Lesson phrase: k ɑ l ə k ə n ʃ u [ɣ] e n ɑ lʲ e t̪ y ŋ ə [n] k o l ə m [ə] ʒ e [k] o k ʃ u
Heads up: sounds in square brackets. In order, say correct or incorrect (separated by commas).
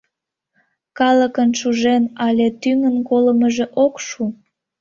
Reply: incorrect, correct, correct, incorrect